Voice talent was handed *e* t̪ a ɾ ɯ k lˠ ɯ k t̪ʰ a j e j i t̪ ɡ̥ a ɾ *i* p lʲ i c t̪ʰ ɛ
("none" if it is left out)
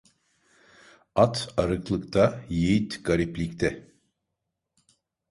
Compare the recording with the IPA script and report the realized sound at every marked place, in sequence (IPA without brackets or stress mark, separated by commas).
a, i